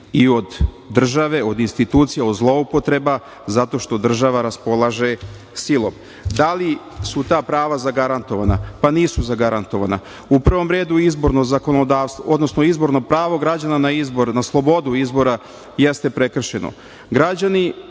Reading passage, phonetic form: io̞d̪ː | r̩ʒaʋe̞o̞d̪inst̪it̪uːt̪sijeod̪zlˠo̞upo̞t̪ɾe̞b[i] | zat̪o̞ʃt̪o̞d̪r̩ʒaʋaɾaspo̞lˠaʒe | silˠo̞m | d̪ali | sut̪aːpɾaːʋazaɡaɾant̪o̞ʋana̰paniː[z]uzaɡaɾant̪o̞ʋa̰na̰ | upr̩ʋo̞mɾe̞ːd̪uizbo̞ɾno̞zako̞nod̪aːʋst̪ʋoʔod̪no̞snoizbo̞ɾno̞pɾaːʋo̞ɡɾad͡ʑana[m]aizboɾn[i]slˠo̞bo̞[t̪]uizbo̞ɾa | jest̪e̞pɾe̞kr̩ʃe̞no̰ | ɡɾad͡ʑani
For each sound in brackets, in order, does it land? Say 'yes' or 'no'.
no, no, no, no, no

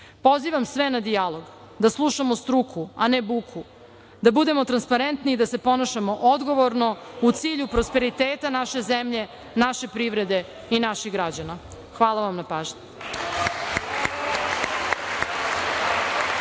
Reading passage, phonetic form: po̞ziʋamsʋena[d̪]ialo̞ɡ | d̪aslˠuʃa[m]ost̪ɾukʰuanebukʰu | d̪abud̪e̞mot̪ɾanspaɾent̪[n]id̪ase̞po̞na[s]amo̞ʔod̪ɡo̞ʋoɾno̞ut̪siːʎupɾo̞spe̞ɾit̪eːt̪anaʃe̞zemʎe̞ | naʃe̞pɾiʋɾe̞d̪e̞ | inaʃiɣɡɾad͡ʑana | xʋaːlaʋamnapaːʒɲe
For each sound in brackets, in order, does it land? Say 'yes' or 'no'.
yes, yes, yes, no

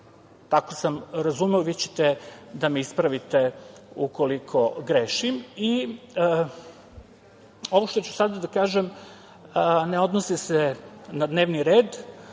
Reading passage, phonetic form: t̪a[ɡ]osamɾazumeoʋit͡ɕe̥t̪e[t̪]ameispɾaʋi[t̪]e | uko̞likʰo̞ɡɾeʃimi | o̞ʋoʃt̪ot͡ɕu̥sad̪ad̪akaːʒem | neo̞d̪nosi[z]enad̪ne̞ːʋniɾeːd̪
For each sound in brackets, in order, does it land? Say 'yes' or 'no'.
no, no, yes, no

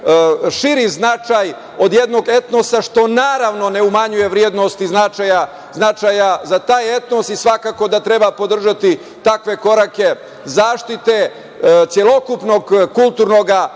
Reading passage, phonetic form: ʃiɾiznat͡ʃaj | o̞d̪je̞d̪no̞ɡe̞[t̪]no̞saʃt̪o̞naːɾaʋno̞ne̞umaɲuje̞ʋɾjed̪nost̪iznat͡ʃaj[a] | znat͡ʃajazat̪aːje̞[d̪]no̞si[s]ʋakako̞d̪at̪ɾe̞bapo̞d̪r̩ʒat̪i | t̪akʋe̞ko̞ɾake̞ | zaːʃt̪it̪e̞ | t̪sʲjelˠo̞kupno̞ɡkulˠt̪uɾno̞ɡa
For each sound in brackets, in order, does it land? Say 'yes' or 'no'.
yes, yes, no, yes

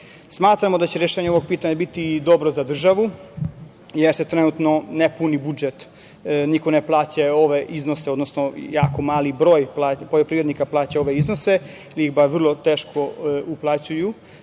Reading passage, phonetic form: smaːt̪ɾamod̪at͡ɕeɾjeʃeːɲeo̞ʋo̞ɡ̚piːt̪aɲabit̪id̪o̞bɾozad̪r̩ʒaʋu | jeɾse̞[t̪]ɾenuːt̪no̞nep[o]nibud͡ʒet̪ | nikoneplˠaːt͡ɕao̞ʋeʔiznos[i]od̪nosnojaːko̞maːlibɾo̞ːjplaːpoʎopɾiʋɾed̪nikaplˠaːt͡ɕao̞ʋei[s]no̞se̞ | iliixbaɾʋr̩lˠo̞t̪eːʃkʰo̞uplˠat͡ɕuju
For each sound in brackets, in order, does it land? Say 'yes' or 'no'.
yes, no, no, no

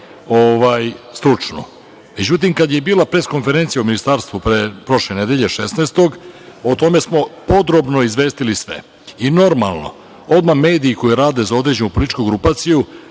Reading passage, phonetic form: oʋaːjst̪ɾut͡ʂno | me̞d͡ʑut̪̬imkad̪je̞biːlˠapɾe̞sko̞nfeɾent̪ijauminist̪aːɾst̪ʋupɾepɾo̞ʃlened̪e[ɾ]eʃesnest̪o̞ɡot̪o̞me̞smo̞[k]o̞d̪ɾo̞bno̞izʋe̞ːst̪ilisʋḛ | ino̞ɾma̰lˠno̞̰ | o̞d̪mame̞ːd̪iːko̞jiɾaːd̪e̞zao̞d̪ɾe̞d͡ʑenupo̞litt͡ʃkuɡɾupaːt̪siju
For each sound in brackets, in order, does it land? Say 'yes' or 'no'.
no, no

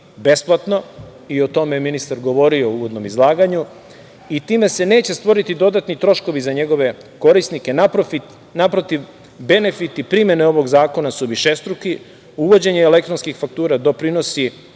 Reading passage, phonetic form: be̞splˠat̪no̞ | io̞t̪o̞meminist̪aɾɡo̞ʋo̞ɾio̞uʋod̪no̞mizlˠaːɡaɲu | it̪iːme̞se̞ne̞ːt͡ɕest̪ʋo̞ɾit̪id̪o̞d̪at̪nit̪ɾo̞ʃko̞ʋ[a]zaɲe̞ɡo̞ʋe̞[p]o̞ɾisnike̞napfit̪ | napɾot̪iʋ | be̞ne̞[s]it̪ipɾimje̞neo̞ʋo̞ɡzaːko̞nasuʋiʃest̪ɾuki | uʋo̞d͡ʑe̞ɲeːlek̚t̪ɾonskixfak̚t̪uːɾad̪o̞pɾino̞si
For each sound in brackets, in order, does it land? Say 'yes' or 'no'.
no, no, no

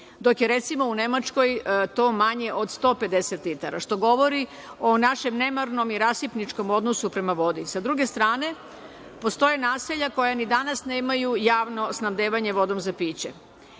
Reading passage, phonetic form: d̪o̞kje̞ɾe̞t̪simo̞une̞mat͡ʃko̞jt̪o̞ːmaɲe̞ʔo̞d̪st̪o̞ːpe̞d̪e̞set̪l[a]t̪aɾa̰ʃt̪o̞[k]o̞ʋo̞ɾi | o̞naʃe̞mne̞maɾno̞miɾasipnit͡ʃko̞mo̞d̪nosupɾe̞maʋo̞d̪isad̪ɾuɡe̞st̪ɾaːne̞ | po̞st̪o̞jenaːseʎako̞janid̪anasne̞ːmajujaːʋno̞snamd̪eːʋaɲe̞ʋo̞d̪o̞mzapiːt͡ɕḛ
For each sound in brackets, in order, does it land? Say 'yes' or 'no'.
no, no

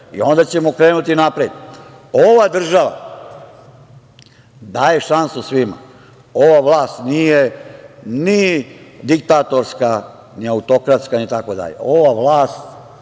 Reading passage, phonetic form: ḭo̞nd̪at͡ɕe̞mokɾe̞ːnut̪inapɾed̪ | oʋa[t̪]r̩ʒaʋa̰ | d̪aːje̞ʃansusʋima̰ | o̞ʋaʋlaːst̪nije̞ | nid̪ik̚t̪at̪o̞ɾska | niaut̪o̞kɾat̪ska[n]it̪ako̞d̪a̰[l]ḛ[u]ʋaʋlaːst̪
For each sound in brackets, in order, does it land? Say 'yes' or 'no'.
no, yes, no, no

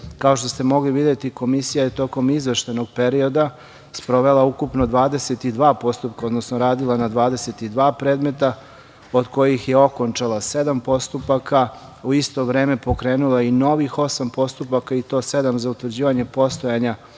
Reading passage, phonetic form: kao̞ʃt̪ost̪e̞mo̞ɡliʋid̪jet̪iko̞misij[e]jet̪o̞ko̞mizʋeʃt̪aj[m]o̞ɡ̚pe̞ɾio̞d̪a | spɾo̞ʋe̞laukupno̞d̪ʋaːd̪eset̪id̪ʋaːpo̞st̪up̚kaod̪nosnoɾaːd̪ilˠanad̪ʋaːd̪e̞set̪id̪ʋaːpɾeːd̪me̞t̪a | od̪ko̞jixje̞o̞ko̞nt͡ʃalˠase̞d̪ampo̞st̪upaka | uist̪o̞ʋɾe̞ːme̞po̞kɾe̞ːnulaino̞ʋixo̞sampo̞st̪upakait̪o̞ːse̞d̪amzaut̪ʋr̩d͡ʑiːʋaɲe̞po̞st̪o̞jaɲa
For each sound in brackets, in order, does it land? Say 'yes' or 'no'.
no, no

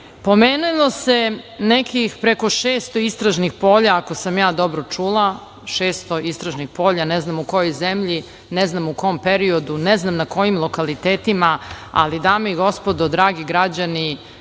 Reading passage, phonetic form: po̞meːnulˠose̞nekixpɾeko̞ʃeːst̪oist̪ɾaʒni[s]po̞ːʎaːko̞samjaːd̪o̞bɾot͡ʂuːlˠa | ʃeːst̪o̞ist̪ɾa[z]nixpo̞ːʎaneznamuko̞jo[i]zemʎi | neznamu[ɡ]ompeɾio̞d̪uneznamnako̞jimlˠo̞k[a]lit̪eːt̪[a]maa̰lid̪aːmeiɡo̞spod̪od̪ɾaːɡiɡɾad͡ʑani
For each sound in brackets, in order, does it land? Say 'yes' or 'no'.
no, no, no, no, yes, no

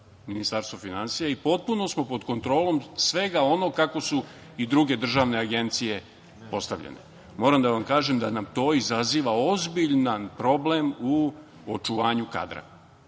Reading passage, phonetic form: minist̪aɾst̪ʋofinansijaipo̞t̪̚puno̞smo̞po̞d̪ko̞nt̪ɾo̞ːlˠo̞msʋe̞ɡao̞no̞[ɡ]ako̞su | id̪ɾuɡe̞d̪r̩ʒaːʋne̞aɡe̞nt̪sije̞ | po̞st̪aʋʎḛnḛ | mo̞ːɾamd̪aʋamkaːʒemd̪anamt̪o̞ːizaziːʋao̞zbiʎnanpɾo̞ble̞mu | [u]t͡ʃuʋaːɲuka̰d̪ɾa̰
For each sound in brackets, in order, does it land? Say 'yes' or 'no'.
no, no

